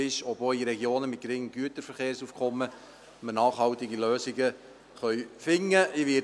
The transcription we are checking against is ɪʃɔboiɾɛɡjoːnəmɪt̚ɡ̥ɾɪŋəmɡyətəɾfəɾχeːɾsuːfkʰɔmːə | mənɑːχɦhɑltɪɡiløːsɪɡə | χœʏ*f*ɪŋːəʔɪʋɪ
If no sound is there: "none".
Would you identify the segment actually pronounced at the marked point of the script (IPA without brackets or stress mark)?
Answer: f